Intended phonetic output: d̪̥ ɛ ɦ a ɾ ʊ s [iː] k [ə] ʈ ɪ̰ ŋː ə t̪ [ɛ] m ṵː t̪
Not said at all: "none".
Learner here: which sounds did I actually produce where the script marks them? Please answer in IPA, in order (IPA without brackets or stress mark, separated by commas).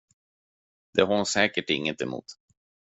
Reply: ɛː, ə, ɛ